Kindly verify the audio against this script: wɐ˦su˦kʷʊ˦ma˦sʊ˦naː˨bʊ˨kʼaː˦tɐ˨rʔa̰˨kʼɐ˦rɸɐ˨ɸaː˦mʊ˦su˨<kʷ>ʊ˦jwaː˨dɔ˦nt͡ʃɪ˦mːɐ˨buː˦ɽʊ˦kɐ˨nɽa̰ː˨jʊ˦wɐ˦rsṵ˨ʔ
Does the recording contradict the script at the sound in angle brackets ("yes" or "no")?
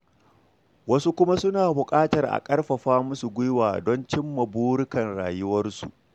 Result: yes